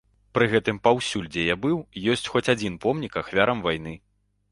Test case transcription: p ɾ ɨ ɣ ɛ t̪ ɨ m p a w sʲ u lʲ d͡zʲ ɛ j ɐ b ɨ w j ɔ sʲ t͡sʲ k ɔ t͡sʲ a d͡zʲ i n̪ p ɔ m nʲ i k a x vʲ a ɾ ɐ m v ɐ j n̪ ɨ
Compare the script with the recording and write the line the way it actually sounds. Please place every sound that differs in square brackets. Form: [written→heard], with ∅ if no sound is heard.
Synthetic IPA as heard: p ɾ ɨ ɣ ɛ t̪ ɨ m p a w sʲ u lʲ d͡zʲ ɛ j [ɐ→a] b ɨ w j ɔ sʲ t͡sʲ [k→x] ɔ t͡sʲ a d͡zʲ i n̪ p ɔ m nʲ i k a x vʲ a ɾ ɐ m v [ɐ→a] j n̪ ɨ